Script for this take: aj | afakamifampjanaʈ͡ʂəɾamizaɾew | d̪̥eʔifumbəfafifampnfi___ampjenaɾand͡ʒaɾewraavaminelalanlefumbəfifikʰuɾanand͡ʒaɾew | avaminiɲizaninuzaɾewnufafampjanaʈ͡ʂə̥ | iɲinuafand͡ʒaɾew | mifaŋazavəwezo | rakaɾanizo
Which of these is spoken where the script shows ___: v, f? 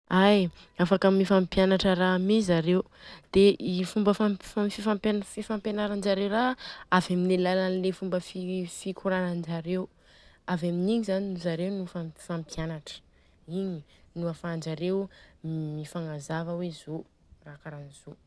f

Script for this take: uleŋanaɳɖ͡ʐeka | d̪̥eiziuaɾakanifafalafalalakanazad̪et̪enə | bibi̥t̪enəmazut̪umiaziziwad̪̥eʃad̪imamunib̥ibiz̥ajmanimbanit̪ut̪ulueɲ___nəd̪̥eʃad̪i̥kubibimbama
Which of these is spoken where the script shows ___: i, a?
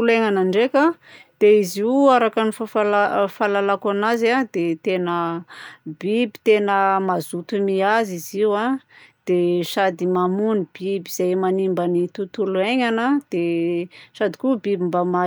a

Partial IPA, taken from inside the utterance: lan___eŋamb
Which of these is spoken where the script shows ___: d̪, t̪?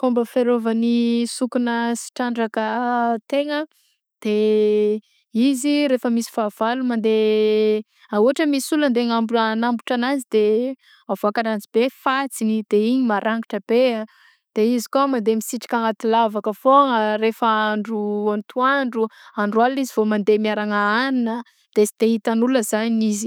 d̪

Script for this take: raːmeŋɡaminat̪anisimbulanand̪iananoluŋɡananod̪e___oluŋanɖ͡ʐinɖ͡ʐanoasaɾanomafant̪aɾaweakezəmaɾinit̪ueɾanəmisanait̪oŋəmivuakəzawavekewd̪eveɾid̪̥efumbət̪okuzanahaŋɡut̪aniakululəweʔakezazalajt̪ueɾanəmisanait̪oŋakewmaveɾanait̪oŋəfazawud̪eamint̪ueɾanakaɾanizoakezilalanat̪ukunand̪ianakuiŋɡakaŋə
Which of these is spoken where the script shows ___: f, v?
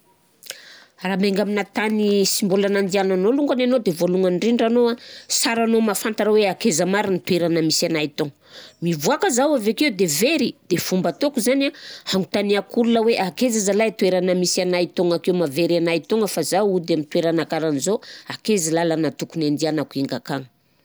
v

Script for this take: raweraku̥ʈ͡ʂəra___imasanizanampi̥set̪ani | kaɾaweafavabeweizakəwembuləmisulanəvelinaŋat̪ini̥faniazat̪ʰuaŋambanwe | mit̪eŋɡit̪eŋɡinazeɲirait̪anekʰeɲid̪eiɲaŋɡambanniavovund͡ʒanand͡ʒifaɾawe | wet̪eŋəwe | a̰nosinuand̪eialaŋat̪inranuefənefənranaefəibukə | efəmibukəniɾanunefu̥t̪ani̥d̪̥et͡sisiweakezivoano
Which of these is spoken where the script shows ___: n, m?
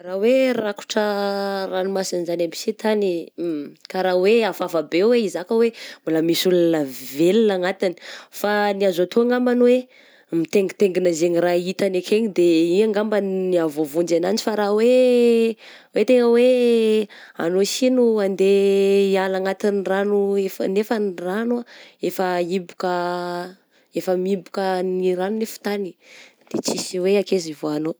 n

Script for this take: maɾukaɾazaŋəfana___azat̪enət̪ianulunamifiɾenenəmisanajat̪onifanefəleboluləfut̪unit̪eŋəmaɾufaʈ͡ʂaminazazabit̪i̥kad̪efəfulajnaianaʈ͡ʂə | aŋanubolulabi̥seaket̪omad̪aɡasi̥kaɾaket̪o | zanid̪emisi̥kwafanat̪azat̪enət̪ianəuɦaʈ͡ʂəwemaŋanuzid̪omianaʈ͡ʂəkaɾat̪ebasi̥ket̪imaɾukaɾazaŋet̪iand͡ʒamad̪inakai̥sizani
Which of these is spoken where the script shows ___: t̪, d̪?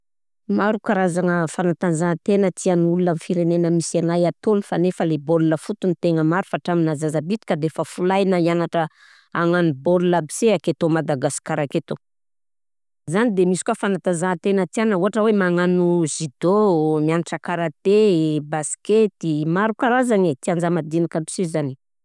t̪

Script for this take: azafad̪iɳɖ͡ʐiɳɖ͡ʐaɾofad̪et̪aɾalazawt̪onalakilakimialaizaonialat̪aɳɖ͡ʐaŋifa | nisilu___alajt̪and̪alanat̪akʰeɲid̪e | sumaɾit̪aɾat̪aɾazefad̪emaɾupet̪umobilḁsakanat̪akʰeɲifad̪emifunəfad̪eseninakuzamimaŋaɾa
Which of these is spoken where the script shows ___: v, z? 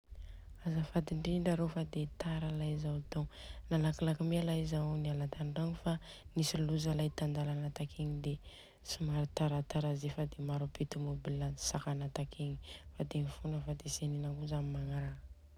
z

